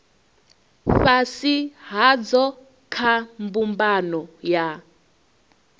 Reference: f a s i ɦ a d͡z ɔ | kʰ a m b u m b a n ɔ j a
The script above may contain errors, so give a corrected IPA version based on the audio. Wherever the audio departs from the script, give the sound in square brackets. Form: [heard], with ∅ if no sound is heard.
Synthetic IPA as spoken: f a s i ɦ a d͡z ɔ | kʰ a m b u m b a n ɔ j a